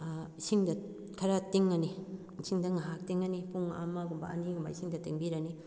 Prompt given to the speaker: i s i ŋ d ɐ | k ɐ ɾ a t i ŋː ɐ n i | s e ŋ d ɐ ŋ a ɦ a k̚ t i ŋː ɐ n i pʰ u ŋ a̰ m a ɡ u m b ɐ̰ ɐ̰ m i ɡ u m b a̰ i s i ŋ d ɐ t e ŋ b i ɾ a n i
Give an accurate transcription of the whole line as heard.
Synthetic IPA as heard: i s i ŋ d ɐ | kʰ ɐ ɾ a t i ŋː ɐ n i | s i ŋ d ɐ ŋ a ɦ a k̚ t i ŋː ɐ n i p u ŋ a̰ m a ɡ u m b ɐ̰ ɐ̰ n i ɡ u m b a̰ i s i ŋ d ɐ t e ŋ b i ɾ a n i